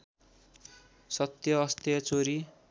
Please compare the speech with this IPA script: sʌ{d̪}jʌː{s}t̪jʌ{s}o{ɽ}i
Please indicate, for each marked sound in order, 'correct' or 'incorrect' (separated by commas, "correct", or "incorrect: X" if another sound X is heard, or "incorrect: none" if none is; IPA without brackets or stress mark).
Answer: incorrect: t̪, correct, incorrect: t͡s, incorrect: ɾ